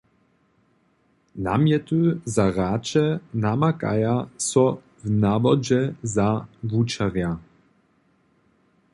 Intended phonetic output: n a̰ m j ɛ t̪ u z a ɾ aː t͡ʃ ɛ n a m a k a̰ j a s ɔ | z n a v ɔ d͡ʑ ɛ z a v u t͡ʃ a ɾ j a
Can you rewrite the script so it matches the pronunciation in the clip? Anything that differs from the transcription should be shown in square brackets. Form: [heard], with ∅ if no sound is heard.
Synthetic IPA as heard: n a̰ m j ɛ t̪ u z a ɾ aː t͡ʃ ɛ n a m a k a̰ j a s ɔ | [v] n a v ɔ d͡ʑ ɛ z a v u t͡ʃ a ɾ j a